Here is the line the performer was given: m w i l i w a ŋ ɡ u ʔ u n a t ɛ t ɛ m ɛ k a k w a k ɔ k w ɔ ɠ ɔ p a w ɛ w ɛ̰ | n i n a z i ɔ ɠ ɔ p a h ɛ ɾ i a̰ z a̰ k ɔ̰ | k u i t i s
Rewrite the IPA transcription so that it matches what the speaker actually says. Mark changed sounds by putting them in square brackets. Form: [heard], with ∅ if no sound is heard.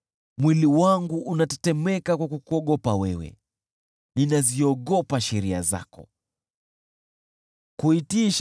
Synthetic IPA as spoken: m w i l i w a ŋ ɡ u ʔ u n a t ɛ t ɛ m ɛ k a k w a k [u] k [u] ɔ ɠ ɔ p a w ɛ w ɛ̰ | n i n a z i ɔ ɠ ɔ p a [ʃ] ɛ ɾ i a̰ z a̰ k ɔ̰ | k u i t i [ʃ]